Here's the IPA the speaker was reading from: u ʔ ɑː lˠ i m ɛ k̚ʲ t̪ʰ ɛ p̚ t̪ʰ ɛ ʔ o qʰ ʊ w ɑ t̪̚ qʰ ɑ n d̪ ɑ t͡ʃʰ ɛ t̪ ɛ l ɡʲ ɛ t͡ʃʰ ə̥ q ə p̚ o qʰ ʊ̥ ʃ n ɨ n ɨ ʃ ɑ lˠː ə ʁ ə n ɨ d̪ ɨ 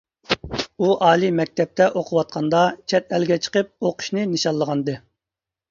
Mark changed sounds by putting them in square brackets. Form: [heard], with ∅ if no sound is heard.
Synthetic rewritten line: u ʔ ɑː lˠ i m ɛ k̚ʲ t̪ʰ ɛ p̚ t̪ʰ ɛ ʔ o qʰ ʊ w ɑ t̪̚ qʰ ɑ n d̪ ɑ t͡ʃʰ ɛ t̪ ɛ l ɡʲ ɛ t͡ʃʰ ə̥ q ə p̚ o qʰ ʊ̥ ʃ n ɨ n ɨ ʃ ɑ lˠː ə ʁ [ɑ] n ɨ d̪ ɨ

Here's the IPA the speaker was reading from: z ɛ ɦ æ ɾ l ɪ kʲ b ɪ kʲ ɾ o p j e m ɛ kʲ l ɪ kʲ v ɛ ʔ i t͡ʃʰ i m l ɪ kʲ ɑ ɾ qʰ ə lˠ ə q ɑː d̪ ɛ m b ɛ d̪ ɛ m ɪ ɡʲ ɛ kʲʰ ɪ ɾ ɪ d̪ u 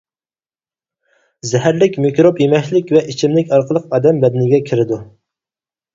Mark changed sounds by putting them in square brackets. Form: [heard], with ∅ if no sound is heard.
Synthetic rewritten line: z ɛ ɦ æ ɾ l ɪ kʲ [m] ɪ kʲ ɾ o p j e m ɛ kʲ l ɪ kʲ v ɛ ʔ i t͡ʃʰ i m l ɪ kʲ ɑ ɾ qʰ ə lˠ ə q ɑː d̪ ɛ m b ɛ d̪ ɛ [n] ɪ ɡʲ ɛ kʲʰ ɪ ɾ ɪ d̪ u

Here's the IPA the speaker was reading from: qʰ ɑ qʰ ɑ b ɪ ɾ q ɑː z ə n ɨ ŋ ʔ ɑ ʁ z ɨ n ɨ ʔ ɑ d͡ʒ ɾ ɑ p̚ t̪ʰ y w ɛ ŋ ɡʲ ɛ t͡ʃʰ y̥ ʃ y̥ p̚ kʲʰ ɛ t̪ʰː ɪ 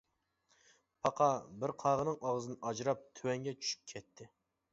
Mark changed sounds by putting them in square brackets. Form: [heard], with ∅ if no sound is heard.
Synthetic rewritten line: [pʰ] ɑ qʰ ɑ b ɪ ɾ [qʰ] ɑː [ʁ] ə n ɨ ŋ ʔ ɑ ʁ z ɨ n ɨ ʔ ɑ d͡ʒ ɾ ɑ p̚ t̪ʰ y w ɛ ŋ ɡʲ ɛ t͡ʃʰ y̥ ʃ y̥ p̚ kʲʰ ɛ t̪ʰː ɪ

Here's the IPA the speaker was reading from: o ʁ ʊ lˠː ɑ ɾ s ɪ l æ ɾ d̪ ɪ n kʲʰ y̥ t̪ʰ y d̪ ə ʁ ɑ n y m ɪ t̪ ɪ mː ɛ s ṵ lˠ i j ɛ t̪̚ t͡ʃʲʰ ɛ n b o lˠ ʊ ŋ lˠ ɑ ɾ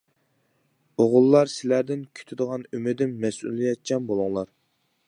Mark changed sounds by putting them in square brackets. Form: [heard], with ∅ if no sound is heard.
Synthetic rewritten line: o ʁ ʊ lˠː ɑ ɾ s ɪ l æ ɾ d̪ ɪ n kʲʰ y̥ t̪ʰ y d̪ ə ʁ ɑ n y m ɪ [d̪] ɪ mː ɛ s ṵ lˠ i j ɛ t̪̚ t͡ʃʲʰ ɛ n b o lˠ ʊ ŋ lˠ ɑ ɾ

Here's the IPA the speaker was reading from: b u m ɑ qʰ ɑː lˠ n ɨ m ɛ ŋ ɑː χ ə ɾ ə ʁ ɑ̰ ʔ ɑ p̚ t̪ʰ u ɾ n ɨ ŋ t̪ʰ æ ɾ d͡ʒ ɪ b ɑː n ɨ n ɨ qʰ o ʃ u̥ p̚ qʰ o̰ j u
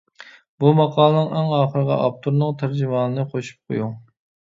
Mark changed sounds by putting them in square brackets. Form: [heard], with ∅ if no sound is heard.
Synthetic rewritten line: b u m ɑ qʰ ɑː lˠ n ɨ [ŋ] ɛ ŋ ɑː χ ə ɾ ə ʁ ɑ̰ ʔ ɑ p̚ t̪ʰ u ɾ n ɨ ŋ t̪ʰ æ ɾ d͡ʒ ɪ [m] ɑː n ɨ n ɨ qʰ o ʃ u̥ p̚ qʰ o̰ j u

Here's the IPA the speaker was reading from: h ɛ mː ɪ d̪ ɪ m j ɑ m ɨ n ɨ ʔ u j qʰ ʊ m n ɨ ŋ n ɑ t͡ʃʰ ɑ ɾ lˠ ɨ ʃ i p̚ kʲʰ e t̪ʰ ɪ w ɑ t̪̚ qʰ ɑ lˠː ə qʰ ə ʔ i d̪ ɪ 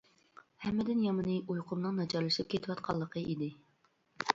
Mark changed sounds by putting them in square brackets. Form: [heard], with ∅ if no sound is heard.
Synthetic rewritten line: h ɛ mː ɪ d̪ ɪ [n] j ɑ m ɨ n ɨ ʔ u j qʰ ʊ m n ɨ ŋ n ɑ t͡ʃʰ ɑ ɾ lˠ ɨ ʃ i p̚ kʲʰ e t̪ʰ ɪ w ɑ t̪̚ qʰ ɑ lˠː ə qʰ ə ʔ i d̪ ɪ

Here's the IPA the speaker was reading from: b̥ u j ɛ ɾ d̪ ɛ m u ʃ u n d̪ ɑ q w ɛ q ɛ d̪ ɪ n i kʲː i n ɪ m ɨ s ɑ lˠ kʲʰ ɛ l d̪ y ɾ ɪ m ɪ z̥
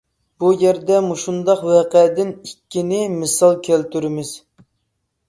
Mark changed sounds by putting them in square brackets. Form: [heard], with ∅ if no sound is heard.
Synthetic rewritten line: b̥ u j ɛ ɾ d̪ ɛ m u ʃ u n d̪ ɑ q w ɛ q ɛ d̪ ɪ n i kʲː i n ɪ m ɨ s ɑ lˠ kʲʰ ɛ l [t̪] y ɾ ɪ m ɪ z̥

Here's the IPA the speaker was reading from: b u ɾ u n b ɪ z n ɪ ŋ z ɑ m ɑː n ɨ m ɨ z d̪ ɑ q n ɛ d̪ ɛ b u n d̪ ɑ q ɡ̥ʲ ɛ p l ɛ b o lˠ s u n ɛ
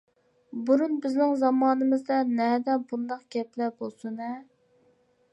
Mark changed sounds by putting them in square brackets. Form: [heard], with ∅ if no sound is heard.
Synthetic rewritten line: b u ɾ u n b ɪ z n ɪ ŋ z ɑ m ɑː n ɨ m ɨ z d̪ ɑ [∅] n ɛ d̪ ɛ b u n d̪ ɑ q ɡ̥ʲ ɛ p l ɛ b o lˠ s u n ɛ

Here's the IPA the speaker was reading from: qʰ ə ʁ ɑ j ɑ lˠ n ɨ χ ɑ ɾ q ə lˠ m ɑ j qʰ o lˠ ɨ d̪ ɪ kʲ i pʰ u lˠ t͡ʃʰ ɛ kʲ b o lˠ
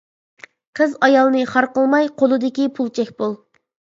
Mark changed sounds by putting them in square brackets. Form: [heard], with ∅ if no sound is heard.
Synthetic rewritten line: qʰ ə [z] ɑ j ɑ lˠ n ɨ χ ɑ ɾ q ə lˠ m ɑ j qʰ o lˠ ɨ d̪ ɪ kʲ i pʰ u lˠ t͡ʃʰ ɛ kʲ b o lˠ

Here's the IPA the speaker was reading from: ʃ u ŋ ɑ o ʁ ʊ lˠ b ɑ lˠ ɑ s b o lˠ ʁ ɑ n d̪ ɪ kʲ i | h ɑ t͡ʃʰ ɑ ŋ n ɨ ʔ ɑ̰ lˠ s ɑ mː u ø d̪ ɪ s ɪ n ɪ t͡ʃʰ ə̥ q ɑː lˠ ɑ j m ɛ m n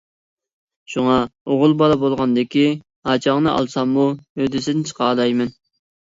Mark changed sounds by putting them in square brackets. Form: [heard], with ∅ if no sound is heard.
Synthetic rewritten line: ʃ u ŋ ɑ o ʁ ʊ lˠ b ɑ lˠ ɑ [∅] b o lˠ ʁ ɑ n d̪ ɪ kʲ i | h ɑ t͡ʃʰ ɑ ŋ n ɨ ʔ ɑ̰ lˠ s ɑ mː u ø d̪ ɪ s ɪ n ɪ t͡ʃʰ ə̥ q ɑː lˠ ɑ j m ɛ [∅] n

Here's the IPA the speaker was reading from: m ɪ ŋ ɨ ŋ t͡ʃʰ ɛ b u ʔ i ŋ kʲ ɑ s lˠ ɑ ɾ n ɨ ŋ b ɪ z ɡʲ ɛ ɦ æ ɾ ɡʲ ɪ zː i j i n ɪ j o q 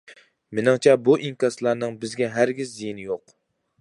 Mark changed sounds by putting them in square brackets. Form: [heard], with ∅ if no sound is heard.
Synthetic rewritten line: m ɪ [n] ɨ ŋ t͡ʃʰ ɛ b u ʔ i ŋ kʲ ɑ s lˠ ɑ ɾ n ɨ ŋ b ɪ z ɡʲ ɛ ɦ æ ɾ ɡʲ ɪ zː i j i n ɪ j o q

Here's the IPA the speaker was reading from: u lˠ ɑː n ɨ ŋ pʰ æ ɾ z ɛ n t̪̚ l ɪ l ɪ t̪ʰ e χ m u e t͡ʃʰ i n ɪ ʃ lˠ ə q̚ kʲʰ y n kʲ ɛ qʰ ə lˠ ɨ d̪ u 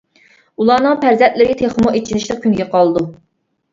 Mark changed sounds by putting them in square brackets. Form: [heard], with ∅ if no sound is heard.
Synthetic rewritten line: u lˠ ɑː n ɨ ŋ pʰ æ ɾ z ɛ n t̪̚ l ɪ [ɾ] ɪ t̪ʰ e χ m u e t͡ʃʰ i n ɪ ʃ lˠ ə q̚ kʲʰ y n [ɡʲ] ɛ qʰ [ɑ] lˠ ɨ d̪ u

